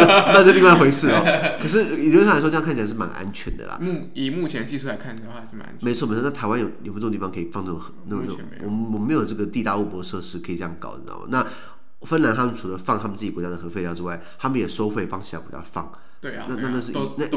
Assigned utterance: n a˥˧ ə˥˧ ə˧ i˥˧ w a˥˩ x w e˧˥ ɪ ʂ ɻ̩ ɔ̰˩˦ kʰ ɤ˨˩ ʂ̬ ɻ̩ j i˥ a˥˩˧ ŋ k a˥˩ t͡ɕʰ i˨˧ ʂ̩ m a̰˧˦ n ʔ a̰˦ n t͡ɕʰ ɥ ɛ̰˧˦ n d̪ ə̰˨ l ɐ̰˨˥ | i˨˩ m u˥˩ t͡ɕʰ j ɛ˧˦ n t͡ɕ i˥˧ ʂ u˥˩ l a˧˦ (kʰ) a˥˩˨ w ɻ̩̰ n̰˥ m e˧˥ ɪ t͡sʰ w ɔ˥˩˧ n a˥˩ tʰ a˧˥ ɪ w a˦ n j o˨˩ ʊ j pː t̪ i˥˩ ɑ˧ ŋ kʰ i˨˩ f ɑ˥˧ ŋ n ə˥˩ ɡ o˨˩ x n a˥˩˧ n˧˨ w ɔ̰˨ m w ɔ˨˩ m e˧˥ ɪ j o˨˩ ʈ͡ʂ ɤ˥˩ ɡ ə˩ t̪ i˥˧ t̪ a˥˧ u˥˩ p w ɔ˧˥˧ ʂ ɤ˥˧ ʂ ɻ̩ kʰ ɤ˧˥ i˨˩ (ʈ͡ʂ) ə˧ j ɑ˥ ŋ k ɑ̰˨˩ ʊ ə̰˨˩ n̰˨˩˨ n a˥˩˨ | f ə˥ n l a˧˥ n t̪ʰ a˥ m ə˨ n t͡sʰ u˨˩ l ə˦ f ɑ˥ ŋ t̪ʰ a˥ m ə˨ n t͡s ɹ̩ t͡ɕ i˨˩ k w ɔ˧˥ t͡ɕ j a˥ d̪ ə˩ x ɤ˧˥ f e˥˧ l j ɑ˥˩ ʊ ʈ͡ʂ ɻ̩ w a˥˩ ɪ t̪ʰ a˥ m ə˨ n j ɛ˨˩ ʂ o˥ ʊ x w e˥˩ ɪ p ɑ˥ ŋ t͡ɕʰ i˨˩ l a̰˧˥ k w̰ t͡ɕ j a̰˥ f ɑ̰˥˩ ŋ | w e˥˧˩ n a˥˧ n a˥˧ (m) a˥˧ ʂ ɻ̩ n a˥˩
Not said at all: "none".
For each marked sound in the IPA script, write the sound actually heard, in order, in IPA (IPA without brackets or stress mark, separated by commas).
kʰ, ʈ͡ʂ, n